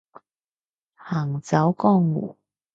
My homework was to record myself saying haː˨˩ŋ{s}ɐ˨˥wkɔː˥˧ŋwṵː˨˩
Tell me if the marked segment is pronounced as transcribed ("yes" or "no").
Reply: no